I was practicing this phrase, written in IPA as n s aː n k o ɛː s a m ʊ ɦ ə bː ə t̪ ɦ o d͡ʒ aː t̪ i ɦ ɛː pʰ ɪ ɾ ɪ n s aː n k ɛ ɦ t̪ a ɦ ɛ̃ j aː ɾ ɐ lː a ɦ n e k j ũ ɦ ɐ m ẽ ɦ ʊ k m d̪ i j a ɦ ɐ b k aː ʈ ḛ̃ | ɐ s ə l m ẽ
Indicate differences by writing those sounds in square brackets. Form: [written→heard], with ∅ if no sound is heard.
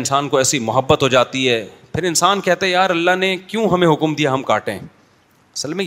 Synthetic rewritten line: n s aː n k o ɛː s [a→i] m ʊ ɦ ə bː ə t̪ ɦ o d͡ʒ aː t̪ i ɦ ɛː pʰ ɪ ɾ ɪ n s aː n k ɛ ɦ t̪ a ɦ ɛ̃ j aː ɾ ɐ lː a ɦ n e k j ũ ɦ ɐ m ẽ ɦ ʊ k m d̪ i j a ɦ ɐ [b→m] k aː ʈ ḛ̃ | ɐ s ə l m ẽ